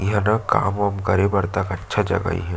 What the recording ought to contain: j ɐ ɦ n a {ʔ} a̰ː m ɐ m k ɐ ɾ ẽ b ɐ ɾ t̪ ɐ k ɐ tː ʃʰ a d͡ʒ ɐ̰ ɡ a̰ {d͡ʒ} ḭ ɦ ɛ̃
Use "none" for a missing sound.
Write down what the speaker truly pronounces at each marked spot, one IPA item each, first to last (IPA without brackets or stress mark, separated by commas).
k, none